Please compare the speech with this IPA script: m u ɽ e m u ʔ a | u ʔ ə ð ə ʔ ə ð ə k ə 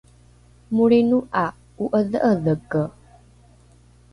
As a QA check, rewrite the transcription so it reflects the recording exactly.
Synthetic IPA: m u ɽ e n u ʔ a | u ʔ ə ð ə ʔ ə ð ə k ə